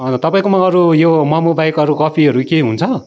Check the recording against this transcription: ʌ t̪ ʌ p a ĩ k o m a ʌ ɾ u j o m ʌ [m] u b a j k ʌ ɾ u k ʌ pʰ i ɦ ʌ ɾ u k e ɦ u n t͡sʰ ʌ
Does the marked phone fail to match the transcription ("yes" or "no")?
no